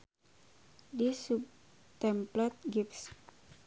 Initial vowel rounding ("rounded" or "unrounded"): unrounded